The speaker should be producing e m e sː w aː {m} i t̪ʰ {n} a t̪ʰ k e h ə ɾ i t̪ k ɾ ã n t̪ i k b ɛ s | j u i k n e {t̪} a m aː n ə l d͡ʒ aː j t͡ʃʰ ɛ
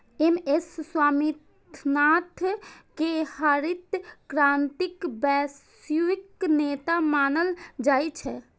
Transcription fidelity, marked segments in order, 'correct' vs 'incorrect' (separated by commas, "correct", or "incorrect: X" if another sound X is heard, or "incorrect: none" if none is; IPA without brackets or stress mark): correct, correct, correct